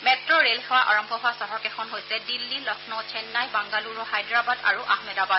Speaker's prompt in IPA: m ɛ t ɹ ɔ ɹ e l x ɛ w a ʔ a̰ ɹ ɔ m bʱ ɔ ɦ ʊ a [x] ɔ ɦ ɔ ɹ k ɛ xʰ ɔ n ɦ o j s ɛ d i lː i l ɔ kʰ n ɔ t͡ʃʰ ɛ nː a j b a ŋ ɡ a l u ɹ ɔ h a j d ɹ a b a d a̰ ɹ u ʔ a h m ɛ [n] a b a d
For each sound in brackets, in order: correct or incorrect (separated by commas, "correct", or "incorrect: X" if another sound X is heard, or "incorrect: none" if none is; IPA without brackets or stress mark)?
incorrect: s, incorrect: d